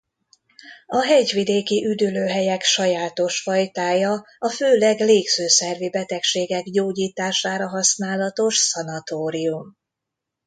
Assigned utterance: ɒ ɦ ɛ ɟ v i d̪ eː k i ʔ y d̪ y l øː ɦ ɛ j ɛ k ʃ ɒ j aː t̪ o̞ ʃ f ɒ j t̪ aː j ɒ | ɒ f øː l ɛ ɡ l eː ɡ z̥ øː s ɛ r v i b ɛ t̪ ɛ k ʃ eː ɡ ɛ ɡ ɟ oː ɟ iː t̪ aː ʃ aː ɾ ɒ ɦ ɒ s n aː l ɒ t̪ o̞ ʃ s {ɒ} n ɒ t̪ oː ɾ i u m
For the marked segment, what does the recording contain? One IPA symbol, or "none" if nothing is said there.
ɒ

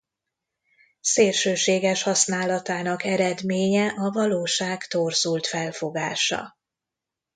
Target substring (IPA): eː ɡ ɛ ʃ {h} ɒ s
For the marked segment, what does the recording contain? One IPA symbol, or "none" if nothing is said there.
h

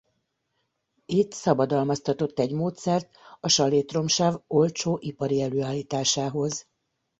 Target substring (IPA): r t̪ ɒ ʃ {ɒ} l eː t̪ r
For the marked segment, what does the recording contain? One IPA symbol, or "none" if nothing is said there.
ɒ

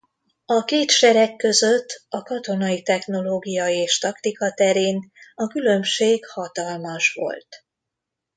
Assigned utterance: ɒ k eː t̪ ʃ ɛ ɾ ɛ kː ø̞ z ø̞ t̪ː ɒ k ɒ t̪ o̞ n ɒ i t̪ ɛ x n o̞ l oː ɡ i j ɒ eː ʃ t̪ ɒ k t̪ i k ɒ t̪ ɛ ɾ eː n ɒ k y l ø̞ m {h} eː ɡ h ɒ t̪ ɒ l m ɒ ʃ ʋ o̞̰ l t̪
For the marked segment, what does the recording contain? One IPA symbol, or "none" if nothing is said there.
ʃ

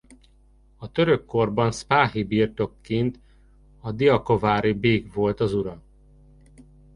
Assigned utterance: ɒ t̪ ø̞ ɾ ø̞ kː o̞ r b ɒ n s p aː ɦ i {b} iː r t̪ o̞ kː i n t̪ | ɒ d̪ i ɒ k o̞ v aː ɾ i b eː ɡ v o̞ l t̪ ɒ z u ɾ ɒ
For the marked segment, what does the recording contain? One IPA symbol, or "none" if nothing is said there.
b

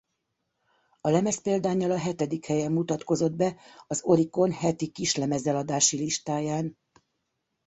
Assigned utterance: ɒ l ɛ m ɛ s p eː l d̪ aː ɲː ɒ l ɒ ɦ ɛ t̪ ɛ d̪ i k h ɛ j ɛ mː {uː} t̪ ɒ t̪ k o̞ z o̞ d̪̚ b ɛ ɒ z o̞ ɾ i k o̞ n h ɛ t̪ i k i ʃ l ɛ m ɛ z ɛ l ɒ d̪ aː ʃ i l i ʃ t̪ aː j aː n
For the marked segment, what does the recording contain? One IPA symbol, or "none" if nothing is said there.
u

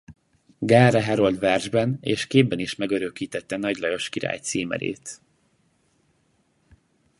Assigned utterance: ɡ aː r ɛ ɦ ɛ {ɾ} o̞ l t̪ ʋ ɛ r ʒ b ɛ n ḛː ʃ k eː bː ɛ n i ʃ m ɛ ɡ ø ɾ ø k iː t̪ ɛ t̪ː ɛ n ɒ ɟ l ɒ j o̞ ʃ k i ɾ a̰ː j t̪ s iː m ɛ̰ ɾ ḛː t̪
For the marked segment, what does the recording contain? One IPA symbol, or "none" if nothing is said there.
ɾ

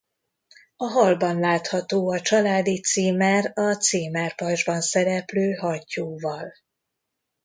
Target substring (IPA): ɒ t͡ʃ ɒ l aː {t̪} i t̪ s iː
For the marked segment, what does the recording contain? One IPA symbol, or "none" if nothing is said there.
d̪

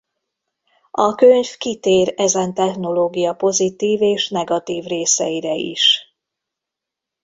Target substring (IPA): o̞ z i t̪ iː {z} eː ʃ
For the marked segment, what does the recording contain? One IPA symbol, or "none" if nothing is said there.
v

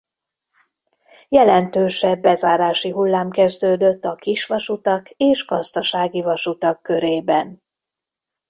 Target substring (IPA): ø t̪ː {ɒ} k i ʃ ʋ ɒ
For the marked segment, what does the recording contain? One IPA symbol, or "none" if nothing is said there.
ɒ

